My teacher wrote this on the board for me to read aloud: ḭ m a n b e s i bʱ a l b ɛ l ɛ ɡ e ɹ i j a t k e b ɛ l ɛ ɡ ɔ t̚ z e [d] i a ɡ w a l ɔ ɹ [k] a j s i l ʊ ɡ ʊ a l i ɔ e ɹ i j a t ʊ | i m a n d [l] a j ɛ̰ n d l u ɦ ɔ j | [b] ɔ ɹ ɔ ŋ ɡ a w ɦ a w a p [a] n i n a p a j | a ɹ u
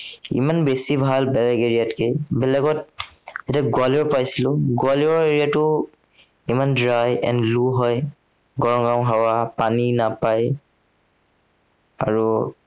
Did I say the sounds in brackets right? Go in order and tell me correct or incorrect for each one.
incorrect: t, incorrect: p, incorrect: ɹ, incorrect: ɡ, correct

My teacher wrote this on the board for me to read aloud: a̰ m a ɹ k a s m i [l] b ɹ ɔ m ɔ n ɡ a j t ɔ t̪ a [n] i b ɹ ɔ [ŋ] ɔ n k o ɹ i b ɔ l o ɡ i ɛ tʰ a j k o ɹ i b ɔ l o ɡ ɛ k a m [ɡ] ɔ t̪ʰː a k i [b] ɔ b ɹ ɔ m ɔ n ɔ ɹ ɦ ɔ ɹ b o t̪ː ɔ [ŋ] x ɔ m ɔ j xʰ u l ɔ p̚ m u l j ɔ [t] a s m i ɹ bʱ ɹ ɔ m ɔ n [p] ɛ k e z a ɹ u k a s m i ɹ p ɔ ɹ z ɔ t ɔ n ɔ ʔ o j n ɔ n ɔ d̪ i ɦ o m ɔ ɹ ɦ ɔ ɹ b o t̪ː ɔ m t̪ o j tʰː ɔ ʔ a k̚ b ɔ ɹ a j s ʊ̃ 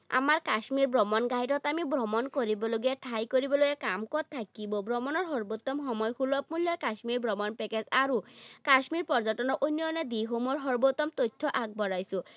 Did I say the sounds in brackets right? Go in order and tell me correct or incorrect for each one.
incorrect: ɹ, incorrect: m, incorrect: m, incorrect: k, correct, incorrect: m, incorrect: k, correct

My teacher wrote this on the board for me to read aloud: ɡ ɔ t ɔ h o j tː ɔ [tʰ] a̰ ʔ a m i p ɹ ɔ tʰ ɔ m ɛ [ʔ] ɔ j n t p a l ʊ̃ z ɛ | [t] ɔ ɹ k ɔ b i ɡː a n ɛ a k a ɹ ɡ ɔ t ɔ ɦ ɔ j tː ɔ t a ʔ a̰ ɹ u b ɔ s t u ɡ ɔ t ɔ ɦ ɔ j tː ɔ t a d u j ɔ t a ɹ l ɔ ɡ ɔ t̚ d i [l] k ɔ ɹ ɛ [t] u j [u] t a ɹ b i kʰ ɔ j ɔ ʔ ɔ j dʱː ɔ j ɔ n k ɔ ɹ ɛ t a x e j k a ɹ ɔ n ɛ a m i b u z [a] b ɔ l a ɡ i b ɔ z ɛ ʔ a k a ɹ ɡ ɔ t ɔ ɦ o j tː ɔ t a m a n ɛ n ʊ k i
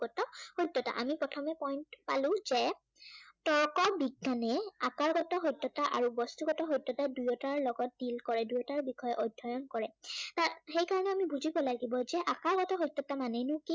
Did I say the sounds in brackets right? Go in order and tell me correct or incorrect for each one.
incorrect: t, incorrect: p, correct, correct, incorrect: d, incorrect: ɔ, incorrect: i

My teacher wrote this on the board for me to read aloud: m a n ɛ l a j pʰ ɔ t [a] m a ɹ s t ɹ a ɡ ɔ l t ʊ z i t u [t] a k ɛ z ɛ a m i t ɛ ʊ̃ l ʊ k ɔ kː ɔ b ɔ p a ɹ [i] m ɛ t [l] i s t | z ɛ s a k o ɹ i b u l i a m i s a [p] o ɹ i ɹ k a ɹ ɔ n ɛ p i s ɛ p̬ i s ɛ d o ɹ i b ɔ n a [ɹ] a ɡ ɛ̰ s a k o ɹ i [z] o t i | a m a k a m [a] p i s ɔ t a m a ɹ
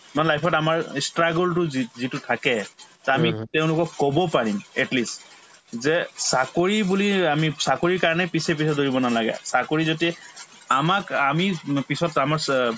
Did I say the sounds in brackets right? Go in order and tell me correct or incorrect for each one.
correct, incorrect: tʰ, correct, correct, incorrect: k, incorrect: l, correct, incorrect: i

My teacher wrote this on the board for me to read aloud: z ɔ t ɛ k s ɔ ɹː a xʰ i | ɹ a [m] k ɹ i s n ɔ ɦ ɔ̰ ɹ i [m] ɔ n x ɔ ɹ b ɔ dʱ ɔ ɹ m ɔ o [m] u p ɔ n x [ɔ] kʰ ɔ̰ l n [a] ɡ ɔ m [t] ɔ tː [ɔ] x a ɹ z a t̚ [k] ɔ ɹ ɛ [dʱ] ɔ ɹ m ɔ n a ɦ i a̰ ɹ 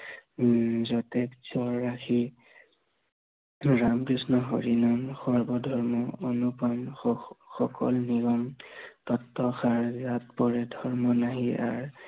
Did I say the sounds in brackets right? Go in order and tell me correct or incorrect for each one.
correct, incorrect: n, incorrect: n, correct, incorrect: i, correct, correct, incorrect: p, correct

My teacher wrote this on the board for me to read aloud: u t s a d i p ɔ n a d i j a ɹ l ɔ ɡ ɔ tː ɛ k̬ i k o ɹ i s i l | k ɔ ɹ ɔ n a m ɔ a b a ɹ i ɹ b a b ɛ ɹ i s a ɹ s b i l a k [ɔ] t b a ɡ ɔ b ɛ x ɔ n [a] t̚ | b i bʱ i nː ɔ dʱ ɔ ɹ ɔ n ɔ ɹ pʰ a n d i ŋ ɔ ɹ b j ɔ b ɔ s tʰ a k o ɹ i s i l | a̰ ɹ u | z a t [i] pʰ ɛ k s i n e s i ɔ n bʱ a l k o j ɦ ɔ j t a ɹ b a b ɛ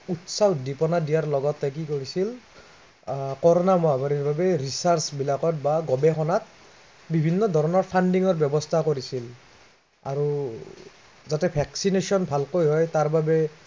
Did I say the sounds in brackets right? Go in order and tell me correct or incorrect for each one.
correct, correct, incorrect: ɛ

